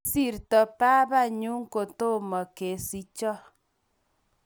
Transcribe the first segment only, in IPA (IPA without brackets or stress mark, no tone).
s